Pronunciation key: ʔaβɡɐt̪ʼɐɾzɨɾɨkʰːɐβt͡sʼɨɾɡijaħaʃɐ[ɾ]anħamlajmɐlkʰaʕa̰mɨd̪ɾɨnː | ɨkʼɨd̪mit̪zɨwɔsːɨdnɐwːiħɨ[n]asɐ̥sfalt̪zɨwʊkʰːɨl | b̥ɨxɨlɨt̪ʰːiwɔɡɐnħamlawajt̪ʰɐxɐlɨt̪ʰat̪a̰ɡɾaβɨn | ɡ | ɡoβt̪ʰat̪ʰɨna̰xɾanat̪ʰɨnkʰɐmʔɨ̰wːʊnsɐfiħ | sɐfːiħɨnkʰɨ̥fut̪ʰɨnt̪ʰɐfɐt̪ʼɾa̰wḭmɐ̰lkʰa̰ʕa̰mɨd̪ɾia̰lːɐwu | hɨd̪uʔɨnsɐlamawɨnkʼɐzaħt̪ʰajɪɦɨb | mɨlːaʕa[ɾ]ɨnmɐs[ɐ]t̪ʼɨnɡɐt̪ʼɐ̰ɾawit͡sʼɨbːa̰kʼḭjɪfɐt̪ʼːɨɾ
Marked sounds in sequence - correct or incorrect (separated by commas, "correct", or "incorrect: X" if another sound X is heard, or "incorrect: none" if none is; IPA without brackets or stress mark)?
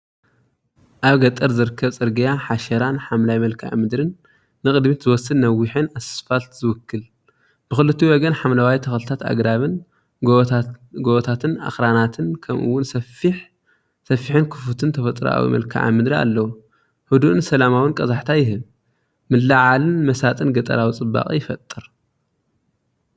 correct, correct, incorrect: l, incorrect: a